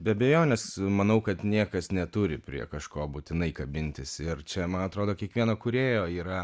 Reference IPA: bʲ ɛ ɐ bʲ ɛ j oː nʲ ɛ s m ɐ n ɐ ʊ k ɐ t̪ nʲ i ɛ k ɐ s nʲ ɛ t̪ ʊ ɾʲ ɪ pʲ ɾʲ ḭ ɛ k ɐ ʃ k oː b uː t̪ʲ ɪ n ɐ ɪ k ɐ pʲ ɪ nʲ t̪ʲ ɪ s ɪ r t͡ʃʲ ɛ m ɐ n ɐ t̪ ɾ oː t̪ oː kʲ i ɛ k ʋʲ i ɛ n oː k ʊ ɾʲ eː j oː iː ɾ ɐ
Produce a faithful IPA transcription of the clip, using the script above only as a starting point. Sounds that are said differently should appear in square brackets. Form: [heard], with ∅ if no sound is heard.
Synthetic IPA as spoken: bʲ ɛ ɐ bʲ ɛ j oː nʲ ɛ s m ɐ n ɐ ʊ k ɐ t̪ nʲ i ɛ k ɐ s nʲ ɛ t̪ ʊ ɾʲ ɪ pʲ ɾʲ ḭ ɛ k ɐ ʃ k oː b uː t̪ʲ ɪ n ɐ ɪ k ɐ [bʲ] ɪ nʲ t̪ʲ ɪ s ɪ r t͡ʃʲ ɛ m ɐ n ɐ t̪ ɾ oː [d̪] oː kʲ i ɛ k ʋʲ i ɛ n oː k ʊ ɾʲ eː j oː iː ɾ ɐ